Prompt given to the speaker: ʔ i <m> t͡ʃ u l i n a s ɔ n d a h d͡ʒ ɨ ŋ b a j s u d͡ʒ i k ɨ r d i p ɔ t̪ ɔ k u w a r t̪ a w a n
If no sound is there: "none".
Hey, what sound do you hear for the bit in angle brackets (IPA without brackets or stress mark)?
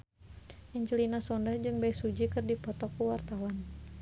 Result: ɲ